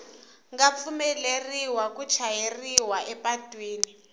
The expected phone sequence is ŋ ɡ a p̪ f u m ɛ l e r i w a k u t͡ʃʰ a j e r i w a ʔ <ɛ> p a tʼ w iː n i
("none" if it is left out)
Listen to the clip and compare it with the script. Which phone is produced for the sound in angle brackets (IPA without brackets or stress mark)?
ɛ